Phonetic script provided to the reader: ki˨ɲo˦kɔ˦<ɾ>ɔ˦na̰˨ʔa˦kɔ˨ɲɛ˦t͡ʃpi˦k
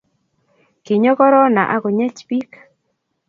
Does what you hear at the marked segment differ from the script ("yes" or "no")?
no